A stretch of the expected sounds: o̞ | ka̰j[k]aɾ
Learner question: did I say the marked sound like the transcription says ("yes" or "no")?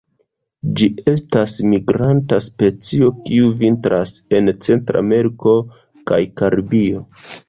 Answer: yes